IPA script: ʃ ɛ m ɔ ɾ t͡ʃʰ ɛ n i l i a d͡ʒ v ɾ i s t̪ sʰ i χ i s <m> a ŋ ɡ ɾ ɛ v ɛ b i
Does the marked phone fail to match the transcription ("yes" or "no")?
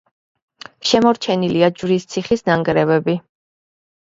yes